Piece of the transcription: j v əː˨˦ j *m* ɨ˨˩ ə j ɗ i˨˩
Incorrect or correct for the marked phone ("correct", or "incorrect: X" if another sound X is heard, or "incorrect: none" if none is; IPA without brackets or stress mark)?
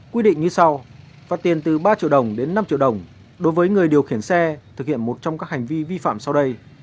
incorrect: ŋ